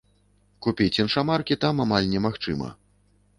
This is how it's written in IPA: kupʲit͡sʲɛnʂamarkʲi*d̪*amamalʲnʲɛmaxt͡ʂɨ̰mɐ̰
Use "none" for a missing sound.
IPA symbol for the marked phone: t̪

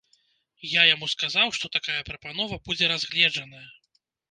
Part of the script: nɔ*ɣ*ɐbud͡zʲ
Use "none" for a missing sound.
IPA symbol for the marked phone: v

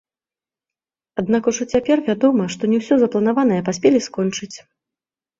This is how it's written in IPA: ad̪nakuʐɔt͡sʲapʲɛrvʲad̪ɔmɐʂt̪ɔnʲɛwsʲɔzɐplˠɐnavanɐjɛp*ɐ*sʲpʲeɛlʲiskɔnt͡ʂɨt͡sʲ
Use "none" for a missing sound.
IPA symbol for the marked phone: a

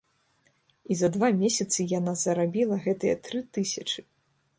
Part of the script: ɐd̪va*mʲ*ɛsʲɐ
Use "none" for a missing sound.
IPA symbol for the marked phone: mʲ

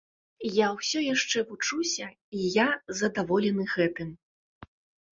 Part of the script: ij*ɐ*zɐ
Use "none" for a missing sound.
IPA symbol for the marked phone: a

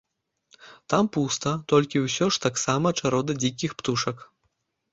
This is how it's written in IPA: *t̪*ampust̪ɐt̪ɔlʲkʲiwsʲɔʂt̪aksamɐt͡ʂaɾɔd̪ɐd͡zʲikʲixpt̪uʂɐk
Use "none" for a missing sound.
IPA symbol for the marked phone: t̪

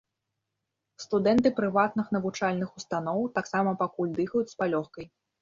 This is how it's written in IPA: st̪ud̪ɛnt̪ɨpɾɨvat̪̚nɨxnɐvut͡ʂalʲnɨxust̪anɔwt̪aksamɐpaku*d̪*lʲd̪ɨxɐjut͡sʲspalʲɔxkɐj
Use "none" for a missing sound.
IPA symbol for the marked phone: none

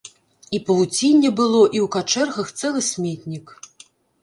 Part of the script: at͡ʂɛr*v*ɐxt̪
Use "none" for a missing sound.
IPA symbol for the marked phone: ɣ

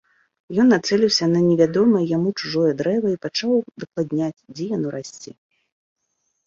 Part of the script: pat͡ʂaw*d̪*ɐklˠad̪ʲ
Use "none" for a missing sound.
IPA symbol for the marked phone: d̪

